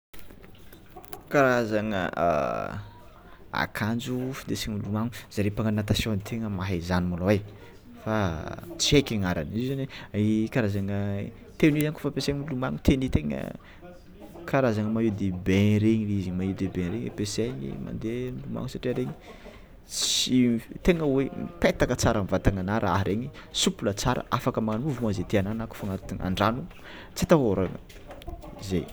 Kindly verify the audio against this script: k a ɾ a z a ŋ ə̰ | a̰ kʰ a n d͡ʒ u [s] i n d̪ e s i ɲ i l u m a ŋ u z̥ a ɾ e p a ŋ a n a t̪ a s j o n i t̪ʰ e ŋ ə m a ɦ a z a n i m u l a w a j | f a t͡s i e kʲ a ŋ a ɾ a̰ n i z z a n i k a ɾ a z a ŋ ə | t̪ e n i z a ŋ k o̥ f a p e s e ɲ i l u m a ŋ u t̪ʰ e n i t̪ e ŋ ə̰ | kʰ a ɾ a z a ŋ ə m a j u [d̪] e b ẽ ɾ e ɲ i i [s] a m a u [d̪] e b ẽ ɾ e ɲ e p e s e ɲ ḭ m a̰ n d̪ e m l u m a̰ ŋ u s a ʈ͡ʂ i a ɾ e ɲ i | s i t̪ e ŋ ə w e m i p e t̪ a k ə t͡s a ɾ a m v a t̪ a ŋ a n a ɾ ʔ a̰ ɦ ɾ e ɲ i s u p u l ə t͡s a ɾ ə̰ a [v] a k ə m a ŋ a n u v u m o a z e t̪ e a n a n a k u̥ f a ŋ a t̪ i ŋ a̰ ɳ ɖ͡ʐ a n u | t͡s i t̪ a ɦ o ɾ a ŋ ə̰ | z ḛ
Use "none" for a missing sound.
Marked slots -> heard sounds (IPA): f, d̪, z, d̪, f

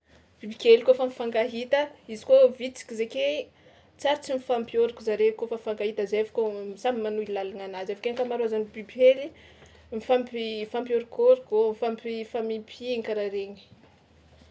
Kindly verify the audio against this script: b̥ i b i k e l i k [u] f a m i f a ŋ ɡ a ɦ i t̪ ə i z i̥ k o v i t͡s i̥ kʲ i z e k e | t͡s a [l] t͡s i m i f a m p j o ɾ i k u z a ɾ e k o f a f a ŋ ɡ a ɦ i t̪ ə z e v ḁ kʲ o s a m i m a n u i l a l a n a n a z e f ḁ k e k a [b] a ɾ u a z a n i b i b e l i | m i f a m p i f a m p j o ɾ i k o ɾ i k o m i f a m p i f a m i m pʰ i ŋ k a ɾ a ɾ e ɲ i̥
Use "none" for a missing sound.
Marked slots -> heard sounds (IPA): o, ɾ, m

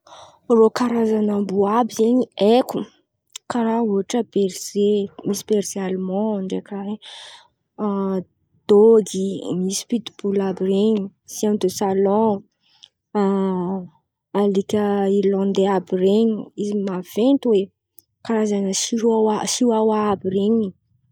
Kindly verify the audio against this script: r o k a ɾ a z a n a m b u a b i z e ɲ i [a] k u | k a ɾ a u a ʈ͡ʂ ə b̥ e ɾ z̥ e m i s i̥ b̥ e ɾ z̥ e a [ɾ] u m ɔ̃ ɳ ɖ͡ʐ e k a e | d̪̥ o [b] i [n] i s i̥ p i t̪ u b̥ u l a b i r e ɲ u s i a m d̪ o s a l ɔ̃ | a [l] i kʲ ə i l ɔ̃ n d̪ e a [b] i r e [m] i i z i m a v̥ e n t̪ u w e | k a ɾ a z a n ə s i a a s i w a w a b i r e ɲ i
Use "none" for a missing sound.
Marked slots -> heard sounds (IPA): e, l, ɡ, m, l, b, ɲ

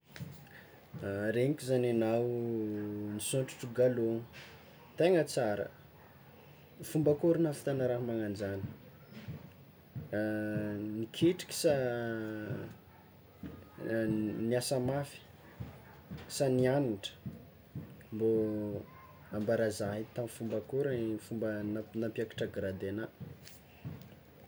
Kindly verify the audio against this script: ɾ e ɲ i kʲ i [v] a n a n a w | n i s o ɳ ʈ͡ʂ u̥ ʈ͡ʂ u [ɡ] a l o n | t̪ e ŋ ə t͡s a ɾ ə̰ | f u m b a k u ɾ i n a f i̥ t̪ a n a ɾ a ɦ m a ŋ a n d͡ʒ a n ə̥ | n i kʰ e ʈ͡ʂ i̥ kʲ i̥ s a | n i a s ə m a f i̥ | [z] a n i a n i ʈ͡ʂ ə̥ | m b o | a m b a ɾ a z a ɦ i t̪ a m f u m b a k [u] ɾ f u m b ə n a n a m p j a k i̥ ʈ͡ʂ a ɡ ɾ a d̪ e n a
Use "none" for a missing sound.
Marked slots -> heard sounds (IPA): z, ɡ, s, u

